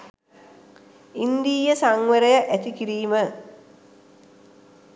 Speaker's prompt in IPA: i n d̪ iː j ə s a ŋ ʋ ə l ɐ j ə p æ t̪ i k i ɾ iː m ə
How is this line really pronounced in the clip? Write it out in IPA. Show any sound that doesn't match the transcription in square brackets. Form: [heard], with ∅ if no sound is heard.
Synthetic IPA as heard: i n d̪ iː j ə s a ŋ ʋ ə [ɾ] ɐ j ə [ʔ] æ t̪ i k i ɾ iː m ə

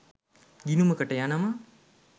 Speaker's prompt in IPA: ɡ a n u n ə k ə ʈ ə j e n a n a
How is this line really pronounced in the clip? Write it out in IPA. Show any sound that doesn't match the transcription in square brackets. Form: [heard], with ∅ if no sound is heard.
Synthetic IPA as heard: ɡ [i] n u [m] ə k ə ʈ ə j [a] n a [m] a

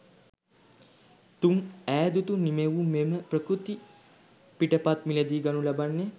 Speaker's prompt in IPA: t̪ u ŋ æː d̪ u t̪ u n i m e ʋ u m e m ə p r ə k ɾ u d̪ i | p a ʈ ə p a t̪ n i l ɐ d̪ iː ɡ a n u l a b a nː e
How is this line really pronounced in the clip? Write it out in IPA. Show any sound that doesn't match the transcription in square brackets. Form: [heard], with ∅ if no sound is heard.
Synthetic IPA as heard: t̪ u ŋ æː d̪ u t̪ u n i m e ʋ u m e m ə p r ə k ɾ u [t̪] i | p [i] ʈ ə p a t̪ [m] i l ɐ d̪ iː ɡ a n u l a b a nː e

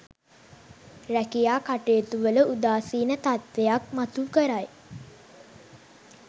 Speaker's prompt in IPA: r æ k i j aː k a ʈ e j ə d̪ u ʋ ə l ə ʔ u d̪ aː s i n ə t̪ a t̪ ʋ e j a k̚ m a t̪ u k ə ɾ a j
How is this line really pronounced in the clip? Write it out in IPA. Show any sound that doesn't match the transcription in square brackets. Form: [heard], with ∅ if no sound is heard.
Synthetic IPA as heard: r æ k i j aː k a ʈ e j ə [t̪] u ʋ ə l ə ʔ u d̪ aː s [iː] n ə t̪ a t̪ ʋ e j a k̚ m a t̪ u k ə ɾ a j

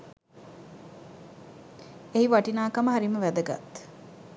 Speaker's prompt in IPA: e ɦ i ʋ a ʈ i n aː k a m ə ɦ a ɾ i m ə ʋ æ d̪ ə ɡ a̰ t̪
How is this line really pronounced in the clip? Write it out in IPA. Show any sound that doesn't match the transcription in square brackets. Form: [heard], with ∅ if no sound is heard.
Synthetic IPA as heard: e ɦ i ʋ a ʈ i n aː k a m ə ɦ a ɾ i m ə ʋ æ d̪ ə ɡ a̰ t̪

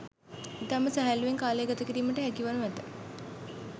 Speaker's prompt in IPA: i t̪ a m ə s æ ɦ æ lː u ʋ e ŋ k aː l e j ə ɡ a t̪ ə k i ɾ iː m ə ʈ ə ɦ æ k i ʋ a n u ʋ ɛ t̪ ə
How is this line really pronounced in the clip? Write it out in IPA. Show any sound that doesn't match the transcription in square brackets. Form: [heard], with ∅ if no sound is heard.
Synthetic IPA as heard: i t̪ a m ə s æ ɦ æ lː u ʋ e ŋ k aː l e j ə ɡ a t̪ ə k i ɾ iː m ə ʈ ə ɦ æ k i ʋ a n u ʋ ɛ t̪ ə

